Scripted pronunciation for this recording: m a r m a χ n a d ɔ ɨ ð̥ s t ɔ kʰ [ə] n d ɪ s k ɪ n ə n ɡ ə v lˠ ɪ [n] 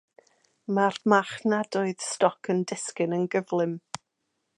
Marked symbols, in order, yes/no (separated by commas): yes, no